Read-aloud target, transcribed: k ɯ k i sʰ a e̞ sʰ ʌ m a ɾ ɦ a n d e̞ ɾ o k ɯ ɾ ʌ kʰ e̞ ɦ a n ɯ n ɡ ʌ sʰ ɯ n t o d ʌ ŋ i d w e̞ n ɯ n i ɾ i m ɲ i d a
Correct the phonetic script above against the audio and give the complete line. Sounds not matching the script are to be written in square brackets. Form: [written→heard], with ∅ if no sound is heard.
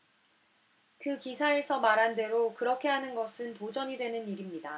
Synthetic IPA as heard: k ɯ k i sʰ a e̞ sʰ ʌ m a ɾ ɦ a n d e̞ ɾ o k ɯ ɾ ʌ kʰ e̞ ɦ a n ɯ n ɡ ʌ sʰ ɯ n t o [d→d͡ʑ] ʌ [ŋ→ɲ] i d w e̞ n ɯ n i ɾ i m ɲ i d a